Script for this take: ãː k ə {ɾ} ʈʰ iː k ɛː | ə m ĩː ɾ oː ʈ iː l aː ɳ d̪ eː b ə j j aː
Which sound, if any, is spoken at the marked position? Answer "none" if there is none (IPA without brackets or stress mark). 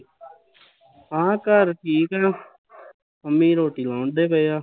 ɾ